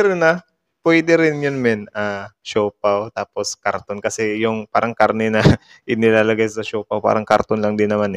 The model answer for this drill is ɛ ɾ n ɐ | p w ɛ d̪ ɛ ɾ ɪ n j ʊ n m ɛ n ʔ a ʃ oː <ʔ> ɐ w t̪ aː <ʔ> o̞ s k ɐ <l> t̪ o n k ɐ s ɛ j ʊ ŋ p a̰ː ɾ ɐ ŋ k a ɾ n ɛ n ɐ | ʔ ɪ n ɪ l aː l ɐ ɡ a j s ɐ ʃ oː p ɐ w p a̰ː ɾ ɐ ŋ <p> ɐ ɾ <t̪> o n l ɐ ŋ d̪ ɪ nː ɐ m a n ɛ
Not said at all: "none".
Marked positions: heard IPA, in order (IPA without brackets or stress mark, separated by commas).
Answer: p, p, ɾ, k, t̪